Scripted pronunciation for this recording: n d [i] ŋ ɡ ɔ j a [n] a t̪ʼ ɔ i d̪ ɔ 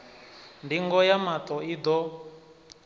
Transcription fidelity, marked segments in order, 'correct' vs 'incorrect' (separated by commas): correct, incorrect